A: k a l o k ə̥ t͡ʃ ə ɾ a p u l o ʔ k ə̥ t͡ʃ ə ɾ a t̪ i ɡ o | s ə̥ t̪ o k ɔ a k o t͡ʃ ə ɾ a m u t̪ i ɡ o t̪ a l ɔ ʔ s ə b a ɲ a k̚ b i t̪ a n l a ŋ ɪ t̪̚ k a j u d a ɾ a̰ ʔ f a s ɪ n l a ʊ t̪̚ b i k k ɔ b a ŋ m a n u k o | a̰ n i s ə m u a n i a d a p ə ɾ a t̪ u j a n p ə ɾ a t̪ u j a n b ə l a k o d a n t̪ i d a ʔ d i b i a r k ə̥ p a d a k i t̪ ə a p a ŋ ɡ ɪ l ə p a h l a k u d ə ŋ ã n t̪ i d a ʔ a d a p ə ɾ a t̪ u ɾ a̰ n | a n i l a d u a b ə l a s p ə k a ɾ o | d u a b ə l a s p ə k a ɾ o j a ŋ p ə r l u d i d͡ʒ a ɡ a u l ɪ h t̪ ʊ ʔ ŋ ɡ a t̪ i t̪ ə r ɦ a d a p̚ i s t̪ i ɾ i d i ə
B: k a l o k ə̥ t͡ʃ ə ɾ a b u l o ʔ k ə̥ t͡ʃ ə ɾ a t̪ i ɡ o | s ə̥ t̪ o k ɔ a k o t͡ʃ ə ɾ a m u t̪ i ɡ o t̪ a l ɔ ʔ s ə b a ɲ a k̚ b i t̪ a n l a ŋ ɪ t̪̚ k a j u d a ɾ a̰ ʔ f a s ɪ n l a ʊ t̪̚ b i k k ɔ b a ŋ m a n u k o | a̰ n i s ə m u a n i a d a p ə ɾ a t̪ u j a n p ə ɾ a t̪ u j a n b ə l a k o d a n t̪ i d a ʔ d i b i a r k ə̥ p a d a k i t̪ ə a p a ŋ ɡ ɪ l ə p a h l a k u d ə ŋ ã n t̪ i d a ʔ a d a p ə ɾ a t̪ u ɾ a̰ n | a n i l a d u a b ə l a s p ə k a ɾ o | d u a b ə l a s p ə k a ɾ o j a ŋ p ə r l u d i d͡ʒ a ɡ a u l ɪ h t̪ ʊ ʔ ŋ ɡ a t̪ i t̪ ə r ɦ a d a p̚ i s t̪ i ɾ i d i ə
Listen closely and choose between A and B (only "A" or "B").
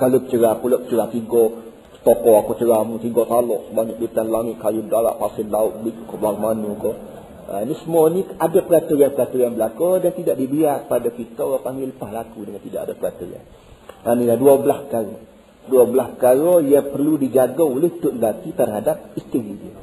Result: A